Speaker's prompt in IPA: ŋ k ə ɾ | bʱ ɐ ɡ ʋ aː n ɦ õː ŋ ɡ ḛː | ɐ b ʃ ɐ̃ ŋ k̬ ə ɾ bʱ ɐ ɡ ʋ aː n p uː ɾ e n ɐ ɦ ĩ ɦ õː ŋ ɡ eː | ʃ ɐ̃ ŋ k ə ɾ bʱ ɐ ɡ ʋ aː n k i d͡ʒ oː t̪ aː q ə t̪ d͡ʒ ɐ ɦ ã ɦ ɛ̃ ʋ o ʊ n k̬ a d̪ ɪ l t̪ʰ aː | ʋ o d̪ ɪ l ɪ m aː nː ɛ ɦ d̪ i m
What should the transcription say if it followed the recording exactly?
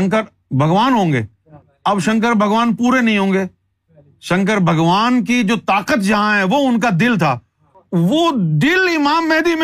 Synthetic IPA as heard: ŋ k ə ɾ | bʱ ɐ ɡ ʋ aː n ɦ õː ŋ ɡ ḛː | ɐ b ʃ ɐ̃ ŋ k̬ ə ɾ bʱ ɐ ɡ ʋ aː n p uː ɾ e n ɐ ɦ ĩ ɦ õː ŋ ɡ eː | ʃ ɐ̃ ŋ k ə ɾ bʱ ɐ ɡ ʋ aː n k i d͡ʒ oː t̪ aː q ə t̪ d͡ʒ ɐ ɦ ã ɦ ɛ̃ ʋ o ʊ n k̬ a d̪ ɪ l t̪ʰ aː | ʋ o d̪ ɪ l ɪ m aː mː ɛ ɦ d̪ i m